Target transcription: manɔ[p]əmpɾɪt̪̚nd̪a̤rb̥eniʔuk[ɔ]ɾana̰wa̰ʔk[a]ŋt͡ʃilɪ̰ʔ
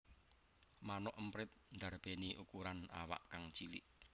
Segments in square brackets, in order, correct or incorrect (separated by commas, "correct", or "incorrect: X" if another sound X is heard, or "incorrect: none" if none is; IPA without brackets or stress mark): incorrect: ʔ, incorrect: u, correct